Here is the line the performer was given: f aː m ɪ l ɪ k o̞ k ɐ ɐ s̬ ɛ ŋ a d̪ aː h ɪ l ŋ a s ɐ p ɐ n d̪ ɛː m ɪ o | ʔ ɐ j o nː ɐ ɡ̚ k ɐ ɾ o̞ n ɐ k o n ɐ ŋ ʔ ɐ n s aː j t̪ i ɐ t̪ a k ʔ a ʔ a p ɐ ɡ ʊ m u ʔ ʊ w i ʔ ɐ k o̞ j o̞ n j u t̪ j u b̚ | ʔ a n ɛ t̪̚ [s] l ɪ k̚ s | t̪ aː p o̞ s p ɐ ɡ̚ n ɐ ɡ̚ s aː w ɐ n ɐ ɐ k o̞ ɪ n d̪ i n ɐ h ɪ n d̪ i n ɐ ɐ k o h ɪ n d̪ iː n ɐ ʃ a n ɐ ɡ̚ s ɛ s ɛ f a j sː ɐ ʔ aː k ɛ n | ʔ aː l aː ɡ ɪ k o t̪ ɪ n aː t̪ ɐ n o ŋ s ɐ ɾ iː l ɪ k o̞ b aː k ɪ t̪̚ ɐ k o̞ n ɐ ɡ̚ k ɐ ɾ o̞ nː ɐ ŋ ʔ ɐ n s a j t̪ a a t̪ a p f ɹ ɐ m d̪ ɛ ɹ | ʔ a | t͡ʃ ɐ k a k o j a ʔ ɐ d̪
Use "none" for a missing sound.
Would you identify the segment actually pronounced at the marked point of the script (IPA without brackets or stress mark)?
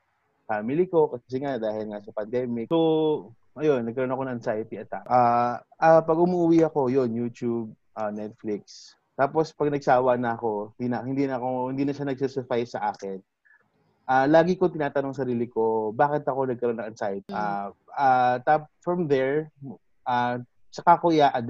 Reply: f